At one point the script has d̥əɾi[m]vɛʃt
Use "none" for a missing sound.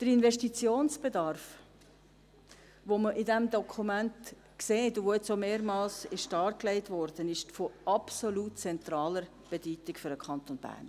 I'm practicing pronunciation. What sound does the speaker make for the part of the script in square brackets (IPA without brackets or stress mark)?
n